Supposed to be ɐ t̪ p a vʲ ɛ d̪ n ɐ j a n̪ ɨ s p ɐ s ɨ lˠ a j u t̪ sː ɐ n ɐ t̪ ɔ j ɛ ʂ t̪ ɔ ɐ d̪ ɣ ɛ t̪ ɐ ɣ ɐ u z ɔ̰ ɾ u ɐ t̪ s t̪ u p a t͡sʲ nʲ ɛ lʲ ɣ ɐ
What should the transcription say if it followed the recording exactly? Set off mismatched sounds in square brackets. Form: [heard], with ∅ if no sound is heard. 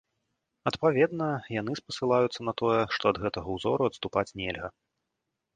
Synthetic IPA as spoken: ɐ t̪ p a vʲ ɛ d̪ n ɐ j a n̪ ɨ s p ɐ s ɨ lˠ a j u t̪ sː ɐ n ɐ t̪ ɔ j ɛ ʂ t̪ ɔ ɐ d̪ ɣ ɛ t̪ ɐ ɣ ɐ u z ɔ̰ ɾ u ɐ t̪ s t̪ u p a t͡sʲ nʲ ɛ lʲ ɣ ɐ